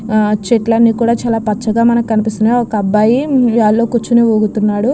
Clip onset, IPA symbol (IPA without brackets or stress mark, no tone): t͡ʃ